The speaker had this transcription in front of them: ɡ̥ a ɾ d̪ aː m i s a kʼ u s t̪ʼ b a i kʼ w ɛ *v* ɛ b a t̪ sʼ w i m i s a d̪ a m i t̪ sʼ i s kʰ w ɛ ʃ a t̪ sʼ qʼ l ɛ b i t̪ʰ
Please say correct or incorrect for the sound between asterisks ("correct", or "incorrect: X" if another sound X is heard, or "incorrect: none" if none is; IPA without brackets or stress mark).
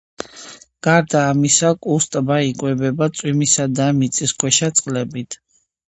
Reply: incorrect: b